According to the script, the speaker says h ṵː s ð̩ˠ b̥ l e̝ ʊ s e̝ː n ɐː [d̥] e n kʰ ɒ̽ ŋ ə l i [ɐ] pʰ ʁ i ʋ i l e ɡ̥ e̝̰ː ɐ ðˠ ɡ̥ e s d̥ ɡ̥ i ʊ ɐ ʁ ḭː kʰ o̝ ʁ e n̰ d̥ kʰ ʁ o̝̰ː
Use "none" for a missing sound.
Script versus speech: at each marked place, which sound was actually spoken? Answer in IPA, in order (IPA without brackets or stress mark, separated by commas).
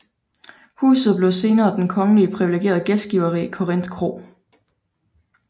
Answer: d̥, ə